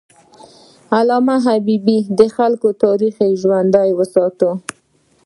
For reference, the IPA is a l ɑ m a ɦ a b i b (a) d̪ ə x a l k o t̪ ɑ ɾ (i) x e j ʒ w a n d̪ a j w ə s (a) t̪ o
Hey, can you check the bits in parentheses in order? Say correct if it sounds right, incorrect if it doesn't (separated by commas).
incorrect, correct, incorrect